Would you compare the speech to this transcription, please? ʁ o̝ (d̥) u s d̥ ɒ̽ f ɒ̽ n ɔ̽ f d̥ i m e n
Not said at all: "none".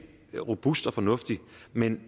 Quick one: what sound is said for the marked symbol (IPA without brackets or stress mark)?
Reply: b̥